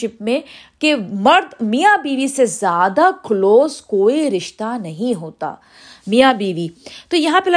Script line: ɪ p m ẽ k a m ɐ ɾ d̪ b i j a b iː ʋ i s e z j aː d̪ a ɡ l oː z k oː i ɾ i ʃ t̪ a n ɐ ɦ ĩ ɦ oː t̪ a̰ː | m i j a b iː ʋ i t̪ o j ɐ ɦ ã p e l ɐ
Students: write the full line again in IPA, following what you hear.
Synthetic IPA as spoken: ɪ p m ẽ k e m ɐ ɾ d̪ m i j a b iː ʋ i s e z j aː d̪ a k l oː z k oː i ɾ ɪ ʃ t̪ a n ɐ ɦ ĩ ɦ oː t̪ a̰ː | m i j a b iː ʋ i t̪ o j ɐ ɦ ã p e l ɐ